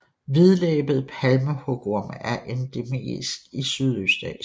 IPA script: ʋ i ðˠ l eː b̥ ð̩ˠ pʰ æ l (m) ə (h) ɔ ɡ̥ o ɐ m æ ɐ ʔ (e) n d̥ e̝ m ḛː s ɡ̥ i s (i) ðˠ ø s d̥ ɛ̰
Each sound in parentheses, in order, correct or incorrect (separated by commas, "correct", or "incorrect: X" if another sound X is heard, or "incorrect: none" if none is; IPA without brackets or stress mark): correct, correct, correct, incorrect: y